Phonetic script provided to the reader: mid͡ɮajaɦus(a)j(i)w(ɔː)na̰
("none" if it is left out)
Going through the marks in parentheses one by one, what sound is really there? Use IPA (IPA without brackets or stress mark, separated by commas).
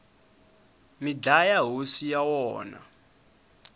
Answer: i, a, ɔː